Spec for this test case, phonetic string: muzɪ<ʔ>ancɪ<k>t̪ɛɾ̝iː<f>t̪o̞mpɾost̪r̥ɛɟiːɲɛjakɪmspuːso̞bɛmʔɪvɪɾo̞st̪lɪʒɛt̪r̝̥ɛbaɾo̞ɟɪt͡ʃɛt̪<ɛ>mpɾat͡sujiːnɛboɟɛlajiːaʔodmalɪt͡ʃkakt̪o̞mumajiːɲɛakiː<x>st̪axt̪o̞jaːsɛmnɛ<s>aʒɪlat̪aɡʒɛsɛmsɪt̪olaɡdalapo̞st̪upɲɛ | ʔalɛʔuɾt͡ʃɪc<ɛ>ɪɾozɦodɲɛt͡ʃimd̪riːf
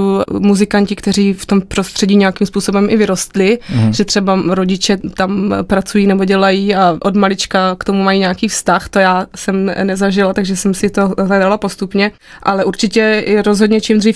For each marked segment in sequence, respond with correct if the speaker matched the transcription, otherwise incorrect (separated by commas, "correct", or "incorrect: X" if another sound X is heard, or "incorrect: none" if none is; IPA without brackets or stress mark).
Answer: incorrect: k, correct, correct, incorrect: a, incorrect: f, incorrect: z, correct